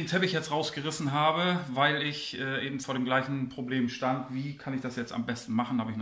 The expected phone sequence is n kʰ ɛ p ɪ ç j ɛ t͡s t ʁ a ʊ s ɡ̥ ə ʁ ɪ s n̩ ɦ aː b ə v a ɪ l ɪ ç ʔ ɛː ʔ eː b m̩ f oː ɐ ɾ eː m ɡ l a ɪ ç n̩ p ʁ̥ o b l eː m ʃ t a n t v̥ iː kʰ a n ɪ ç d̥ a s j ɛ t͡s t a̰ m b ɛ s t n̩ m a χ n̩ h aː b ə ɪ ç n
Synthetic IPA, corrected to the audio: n tʰ ɛ p ɪ ç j ɛ t͡s t ʁ a ʊ s ɡ̥ ə ʁ ɪ s n̩ ɦ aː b ə v a ɪ l ɪ ç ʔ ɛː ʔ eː b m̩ f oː ɐ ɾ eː m ɡ l a ɪ ç n̩ p ʁ̥ o b l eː m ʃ t a n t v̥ iː kʰ a n ɪ ç d̥ a s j ɛ t͡s t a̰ m b ɛ s t n̩ m a χ n̩ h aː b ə ɪ ç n